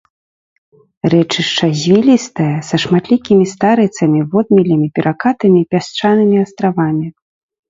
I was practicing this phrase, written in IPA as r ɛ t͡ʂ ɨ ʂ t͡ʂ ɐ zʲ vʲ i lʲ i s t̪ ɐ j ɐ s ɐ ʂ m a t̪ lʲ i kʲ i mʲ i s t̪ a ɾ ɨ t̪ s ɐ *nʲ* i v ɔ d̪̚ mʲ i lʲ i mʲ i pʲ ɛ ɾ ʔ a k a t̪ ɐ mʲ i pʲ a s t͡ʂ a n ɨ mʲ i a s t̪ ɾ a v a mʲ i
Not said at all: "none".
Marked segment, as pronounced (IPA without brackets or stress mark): mʲ